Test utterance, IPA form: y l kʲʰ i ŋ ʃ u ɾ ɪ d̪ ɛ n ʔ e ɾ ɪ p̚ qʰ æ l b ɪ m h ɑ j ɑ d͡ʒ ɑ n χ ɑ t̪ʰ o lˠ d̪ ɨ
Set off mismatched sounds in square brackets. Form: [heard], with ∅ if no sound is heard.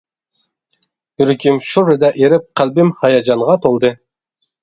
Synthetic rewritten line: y [ɾ] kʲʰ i [m] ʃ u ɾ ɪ d̪ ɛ [∅] ʔ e ɾ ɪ p̚ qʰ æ l b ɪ m h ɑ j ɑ d͡ʒ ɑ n [ʁ] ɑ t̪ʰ o lˠ d̪ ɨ